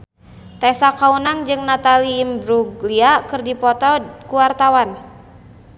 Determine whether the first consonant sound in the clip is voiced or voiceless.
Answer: voiceless